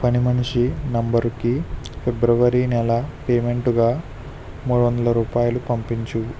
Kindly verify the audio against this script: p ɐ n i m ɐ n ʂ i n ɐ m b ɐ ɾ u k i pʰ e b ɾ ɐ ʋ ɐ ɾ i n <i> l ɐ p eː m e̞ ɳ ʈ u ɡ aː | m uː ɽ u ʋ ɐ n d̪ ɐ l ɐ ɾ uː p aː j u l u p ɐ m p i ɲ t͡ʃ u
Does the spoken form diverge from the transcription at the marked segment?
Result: yes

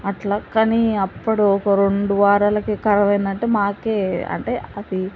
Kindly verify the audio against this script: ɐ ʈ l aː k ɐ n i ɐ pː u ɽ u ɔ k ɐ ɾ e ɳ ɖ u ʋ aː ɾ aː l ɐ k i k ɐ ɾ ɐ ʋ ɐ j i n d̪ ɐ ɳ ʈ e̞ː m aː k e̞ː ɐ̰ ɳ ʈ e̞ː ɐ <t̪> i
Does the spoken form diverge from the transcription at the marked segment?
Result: yes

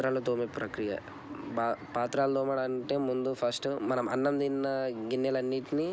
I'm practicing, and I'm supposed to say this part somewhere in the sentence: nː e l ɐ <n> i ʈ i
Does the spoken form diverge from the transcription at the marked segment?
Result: yes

